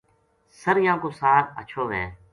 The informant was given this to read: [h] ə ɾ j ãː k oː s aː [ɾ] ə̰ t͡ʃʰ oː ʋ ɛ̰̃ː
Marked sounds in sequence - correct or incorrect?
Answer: incorrect: s, correct

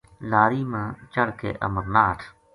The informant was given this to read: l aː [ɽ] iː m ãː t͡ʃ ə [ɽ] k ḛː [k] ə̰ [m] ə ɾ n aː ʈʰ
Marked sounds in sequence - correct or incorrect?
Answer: incorrect: ɾ, correct, incorrect: ʔ, correct

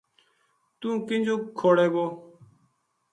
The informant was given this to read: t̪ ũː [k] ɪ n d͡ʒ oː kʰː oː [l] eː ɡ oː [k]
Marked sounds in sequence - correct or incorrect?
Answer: correct, incorrect: ɽ, incorrect: none

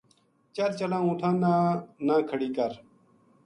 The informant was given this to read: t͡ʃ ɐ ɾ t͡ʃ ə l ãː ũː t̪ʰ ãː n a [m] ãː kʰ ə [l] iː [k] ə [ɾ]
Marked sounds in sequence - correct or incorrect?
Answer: incorrect: n, incorrect: ɽ, correct, correct

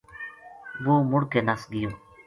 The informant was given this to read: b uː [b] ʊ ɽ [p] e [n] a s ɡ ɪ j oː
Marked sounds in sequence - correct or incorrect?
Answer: incorrect: m, incorrect: k, correct

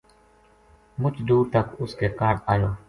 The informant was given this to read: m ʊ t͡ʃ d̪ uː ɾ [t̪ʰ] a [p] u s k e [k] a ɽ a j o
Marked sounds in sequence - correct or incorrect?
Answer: incorrect: t̪, incorrect: k, correct

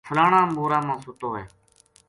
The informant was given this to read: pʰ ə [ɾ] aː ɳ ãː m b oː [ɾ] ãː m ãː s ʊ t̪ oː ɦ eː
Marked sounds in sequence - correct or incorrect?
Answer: incorrect: l, correct

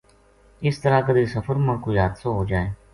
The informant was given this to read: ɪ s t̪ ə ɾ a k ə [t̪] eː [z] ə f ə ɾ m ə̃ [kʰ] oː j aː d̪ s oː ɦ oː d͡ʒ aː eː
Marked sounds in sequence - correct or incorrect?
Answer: incorrect: d̪, incorrect: s, incorrect: k

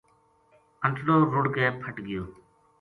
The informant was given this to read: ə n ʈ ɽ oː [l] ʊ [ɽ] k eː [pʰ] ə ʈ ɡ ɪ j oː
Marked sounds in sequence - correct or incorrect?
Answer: incorrect: ɾ, correct, correct

